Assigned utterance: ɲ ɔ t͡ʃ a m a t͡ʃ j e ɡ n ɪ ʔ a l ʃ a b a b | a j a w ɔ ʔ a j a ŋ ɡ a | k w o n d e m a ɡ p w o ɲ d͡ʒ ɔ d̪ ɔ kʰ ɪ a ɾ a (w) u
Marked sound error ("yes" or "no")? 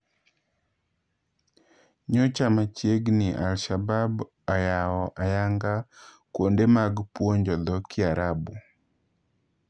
yes